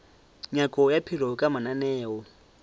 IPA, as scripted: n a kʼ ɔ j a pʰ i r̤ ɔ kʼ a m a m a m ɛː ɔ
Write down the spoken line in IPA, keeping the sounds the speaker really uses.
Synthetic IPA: ɲ a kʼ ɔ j a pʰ i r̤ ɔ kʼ a m a n a n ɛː ɔ